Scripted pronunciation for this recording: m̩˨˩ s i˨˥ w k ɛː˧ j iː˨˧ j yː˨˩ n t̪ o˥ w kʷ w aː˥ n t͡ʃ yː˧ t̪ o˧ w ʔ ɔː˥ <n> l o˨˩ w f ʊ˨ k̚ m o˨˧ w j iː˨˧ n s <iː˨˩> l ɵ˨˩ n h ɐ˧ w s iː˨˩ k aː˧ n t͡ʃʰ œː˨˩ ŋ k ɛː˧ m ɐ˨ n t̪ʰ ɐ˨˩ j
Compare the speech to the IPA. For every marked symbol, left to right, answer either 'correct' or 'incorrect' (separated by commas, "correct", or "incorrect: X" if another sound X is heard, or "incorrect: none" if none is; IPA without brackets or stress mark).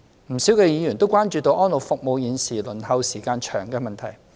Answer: correct, correct